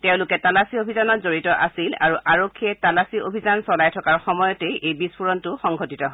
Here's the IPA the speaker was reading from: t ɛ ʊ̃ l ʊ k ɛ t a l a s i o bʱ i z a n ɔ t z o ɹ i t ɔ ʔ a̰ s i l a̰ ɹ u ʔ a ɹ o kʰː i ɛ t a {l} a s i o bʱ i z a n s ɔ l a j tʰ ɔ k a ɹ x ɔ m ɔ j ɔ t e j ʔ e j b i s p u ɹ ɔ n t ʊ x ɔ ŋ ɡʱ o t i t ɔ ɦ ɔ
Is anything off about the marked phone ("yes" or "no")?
no